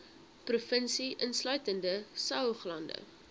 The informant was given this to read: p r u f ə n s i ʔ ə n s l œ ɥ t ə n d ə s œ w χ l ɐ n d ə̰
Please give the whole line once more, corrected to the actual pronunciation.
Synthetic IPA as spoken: p r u f ə n s i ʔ ə n s l œ ɥ t ə n d ə s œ w χ l ɐ n d ə̰